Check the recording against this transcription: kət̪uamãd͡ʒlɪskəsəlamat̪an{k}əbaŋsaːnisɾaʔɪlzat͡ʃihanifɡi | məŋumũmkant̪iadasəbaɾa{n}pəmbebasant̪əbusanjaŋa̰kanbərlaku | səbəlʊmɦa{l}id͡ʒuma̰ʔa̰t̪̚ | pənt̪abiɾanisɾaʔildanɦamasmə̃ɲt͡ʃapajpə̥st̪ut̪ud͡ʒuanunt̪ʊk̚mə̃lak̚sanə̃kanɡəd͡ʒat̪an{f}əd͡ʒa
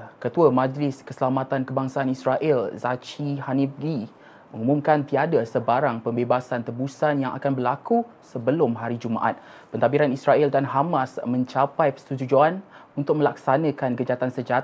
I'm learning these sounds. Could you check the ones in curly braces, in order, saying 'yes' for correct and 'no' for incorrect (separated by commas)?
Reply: yes, no, no, no